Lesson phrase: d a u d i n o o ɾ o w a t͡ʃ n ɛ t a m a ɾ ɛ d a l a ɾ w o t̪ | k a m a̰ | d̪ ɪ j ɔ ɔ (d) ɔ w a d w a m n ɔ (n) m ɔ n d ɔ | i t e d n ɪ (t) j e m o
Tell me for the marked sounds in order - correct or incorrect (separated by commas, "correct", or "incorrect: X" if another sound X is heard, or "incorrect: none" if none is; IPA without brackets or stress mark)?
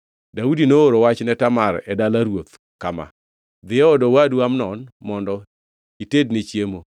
correct, correct, incorrect: t͡ʃ